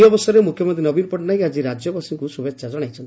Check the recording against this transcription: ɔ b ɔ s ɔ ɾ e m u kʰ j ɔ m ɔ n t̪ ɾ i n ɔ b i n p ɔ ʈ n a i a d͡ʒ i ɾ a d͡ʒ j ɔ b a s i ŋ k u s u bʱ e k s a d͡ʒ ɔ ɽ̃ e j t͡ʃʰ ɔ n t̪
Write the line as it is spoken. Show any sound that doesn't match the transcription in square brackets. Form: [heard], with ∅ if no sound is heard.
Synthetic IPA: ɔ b ɔ s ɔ ɾ e m u kʰ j ɔ m ɔ n t̪ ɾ i n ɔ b i n p ɔ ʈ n a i a d͡ʒ i ɾ a d͡ʒ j ɔ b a s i ŋ k u s u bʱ e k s a d͡ʒ ɔ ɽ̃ [a] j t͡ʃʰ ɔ n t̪